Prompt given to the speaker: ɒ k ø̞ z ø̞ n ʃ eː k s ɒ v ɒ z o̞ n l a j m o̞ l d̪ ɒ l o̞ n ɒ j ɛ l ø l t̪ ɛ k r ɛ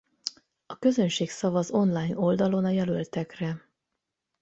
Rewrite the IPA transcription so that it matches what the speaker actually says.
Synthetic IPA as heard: ɒ k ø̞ z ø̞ n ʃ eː k s ɒ v ɒ z o̞ n l a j n o̞ l d̪ ɒ l o̞ n ɒ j ɛ l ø l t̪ ɛ k r ɛ